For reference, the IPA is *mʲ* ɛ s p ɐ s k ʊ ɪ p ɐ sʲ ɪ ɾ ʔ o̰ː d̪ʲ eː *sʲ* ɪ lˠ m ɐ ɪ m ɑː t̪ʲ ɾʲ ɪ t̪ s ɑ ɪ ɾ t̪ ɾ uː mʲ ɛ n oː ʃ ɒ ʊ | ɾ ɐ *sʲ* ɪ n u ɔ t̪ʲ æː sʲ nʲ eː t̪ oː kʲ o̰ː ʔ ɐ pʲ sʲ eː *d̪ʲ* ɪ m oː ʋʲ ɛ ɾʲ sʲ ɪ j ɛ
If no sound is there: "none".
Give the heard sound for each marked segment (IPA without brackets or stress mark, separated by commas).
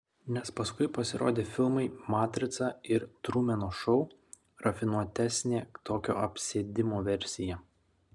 nʲ, fʲ, fʲ, d̪ʲ